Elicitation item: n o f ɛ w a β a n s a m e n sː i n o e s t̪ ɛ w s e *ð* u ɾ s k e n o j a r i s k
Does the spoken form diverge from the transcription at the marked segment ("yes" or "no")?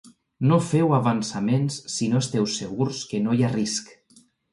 yes